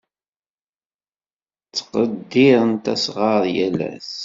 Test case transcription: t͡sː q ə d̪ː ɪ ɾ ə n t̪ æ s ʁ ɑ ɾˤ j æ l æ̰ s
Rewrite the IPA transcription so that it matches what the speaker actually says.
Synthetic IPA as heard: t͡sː q ə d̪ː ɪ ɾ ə n t̪ æ s ʁ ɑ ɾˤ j æ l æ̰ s

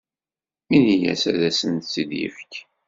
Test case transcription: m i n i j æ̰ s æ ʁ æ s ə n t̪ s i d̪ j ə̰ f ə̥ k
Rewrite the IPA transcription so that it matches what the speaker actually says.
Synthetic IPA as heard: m i n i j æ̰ s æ ð æ s ə n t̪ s i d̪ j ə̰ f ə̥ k

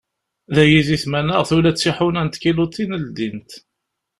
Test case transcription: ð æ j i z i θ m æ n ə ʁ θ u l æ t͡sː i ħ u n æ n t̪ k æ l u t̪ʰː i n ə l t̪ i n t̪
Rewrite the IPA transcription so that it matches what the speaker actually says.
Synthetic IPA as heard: ð æ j i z i θ m æ n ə ʁ θ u l æ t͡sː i ħ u n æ n t̪ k i l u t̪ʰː i n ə l d̪ i n t̪

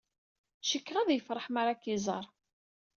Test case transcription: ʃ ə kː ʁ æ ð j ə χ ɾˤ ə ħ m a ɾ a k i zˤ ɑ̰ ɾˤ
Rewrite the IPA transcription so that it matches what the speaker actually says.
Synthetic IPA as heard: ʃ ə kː ʁ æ ð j ə f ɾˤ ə ħ m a ɾ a k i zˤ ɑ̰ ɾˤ

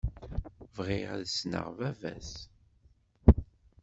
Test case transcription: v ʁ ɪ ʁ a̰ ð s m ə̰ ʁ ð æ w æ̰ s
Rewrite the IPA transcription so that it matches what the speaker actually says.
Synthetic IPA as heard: v ʁ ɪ ʁ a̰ ð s n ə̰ ʁ v æ v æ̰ s

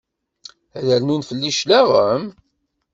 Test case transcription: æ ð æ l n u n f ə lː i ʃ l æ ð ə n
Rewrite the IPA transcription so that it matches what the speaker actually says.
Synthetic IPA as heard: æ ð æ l n u n f ə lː i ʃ l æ ʁ ə m

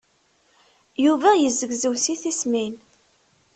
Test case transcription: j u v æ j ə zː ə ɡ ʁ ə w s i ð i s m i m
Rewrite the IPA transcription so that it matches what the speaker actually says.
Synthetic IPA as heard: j u v æ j ə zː ə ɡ z ə w s i θ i s m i n

